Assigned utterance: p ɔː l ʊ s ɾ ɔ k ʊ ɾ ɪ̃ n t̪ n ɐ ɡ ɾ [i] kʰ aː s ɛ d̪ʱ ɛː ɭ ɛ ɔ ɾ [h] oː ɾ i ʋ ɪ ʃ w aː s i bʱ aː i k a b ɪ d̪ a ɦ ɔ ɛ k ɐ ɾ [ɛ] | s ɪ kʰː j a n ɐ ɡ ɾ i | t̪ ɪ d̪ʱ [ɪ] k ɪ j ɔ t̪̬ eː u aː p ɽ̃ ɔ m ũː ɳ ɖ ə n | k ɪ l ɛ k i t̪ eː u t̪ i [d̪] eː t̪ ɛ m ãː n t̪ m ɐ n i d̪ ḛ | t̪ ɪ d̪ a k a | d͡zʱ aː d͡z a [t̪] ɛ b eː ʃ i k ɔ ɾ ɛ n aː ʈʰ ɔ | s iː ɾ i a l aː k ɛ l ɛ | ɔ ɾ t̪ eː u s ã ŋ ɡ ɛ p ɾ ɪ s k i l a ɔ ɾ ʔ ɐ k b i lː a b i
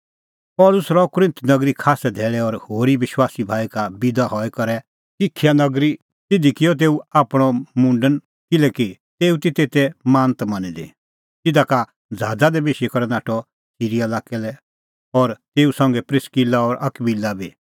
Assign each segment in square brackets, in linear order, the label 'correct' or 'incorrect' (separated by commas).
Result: correct, correct, correct, incorrect, incorrect, incorrect